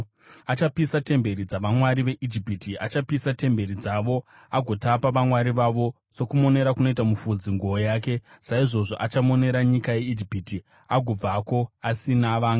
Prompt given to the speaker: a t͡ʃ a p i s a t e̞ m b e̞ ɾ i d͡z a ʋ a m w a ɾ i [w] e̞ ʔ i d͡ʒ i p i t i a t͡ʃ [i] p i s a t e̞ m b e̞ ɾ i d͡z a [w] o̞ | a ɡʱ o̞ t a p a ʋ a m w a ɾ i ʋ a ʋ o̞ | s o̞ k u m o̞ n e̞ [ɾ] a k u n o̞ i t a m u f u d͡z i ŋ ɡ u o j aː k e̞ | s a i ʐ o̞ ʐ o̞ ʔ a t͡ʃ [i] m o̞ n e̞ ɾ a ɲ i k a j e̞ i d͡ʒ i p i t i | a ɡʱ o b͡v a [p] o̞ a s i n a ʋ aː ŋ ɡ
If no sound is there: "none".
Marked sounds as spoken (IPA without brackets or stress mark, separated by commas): ʋ, a, ʋ, ɾ, a, k